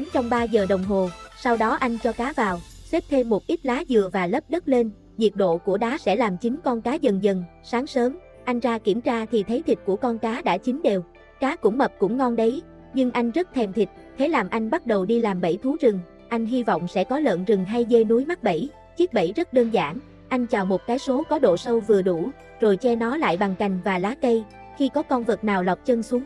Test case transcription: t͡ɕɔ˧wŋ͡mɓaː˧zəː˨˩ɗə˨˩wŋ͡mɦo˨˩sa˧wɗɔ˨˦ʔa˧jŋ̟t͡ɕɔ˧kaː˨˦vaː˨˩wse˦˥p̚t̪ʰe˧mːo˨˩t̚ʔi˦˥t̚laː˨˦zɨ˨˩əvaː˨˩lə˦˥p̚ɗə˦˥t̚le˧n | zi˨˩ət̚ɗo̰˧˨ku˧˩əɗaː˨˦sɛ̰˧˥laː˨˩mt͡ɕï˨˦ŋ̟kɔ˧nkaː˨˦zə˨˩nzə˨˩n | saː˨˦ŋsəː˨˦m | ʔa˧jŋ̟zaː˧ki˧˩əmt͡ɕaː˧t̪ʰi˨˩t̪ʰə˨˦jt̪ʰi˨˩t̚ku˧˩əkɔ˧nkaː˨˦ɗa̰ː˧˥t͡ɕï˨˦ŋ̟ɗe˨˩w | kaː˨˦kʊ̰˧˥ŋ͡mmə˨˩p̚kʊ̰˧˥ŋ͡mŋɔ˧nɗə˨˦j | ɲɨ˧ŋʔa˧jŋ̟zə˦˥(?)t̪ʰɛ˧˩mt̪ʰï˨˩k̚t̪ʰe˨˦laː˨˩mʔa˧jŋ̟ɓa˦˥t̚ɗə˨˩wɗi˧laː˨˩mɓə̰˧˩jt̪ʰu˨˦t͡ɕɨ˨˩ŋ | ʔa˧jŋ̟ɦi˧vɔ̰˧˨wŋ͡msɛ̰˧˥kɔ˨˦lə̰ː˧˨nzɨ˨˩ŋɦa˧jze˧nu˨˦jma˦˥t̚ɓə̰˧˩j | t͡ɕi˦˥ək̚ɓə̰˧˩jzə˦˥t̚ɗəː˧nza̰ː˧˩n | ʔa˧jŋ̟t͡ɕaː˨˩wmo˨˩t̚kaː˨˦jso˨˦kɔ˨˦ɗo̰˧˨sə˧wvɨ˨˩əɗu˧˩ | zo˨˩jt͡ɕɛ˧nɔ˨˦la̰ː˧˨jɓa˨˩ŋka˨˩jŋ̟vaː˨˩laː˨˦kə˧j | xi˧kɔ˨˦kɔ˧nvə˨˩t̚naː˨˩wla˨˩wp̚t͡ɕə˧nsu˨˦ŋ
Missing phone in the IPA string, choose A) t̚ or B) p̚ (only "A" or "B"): A